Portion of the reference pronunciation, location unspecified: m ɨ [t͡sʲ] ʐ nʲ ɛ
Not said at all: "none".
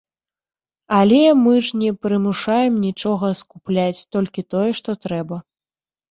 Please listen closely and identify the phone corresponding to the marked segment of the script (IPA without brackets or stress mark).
none